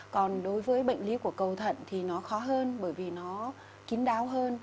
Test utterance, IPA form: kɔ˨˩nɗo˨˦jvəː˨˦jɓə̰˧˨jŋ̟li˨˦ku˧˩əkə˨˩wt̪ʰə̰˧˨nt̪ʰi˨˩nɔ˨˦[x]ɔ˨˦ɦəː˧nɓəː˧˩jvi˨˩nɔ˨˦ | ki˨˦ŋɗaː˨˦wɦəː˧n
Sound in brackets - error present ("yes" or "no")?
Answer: no